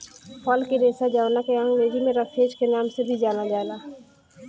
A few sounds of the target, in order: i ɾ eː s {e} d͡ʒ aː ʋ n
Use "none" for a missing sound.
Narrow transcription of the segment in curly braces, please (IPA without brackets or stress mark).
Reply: a